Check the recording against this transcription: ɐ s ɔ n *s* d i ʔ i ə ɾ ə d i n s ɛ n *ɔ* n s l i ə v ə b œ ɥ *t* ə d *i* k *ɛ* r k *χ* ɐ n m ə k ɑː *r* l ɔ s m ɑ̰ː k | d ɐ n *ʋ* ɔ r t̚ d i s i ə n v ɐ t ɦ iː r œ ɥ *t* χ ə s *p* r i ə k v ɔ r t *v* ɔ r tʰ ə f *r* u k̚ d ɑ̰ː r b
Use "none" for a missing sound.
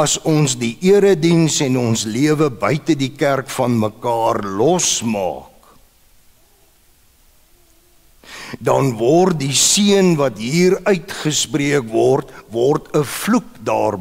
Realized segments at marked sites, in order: s, ɔ, t, i, æ, f, r, v, t, p, v, l

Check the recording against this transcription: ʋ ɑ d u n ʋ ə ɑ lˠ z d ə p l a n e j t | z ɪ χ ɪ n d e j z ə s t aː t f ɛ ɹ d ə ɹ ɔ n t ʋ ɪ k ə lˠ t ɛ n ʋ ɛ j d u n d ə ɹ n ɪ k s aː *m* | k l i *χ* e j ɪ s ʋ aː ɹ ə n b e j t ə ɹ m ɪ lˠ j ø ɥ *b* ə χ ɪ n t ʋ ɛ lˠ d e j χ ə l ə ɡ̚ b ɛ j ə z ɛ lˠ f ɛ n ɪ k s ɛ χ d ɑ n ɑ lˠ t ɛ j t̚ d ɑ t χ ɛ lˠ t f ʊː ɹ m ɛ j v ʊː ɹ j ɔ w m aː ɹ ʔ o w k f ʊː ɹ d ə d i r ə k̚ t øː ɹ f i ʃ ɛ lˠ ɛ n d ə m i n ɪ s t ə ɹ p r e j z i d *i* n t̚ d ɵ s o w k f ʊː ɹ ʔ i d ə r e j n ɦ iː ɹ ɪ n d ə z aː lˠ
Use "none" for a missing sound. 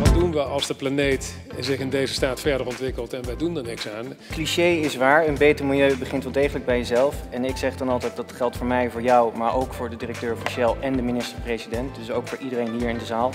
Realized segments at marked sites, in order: n, ʃ, b, ɛ

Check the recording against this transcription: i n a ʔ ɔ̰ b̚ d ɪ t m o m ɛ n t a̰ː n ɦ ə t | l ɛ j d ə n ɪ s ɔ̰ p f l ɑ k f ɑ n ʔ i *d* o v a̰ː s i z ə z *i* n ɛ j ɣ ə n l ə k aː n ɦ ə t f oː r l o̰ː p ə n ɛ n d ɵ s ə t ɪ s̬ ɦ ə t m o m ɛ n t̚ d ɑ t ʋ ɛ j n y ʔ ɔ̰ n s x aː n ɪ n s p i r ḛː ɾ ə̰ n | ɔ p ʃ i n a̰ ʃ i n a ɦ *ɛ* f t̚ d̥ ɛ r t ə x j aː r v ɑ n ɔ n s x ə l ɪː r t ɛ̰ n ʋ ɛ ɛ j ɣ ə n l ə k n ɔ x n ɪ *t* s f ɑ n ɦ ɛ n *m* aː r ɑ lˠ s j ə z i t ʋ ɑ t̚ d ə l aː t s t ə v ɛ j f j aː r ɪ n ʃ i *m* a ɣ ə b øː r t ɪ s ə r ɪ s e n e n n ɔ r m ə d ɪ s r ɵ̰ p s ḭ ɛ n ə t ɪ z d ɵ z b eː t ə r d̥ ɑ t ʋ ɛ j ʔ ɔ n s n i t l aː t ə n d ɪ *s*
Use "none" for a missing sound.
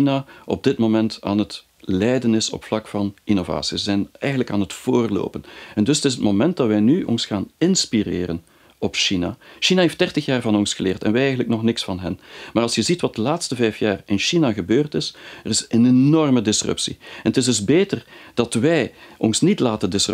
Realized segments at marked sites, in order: n, ɛ, e, k, m, n, s

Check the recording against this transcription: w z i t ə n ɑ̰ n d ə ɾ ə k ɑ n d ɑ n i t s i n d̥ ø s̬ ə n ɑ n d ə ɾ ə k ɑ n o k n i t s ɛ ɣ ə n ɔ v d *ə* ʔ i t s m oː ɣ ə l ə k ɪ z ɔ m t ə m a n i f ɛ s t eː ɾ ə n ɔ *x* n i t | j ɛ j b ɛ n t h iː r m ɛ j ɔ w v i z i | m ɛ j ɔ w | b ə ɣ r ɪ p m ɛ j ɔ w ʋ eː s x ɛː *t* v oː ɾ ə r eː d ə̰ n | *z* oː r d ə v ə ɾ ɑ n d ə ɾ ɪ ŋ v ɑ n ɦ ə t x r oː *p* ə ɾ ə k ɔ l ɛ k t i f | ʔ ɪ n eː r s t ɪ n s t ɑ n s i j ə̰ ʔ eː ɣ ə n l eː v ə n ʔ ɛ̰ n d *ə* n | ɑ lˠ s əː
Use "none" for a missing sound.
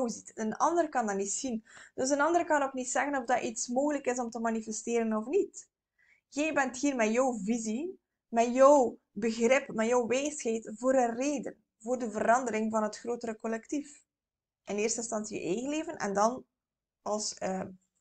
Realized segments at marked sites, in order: ɑ, f, t, v, t, ɑ

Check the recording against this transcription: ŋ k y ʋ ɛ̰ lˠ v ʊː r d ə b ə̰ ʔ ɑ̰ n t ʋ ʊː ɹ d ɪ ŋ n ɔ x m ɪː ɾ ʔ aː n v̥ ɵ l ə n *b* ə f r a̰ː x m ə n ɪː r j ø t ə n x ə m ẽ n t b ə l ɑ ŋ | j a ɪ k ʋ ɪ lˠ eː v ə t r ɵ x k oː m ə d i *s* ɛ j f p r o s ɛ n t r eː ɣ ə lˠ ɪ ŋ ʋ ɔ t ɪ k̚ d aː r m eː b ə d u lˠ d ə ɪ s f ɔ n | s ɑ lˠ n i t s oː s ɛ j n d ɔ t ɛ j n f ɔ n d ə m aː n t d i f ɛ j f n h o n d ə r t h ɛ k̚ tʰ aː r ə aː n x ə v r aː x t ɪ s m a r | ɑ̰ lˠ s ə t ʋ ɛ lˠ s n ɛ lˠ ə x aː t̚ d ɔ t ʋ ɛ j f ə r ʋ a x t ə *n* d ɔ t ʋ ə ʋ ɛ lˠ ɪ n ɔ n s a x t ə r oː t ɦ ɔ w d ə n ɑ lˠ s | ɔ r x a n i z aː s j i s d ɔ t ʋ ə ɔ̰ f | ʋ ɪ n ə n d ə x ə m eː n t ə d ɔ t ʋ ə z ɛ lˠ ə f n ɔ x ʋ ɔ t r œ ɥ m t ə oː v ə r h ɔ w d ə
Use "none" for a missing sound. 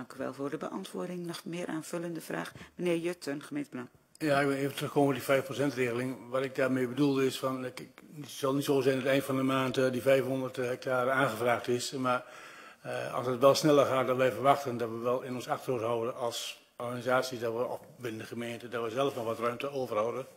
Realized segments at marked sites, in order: d, f, n

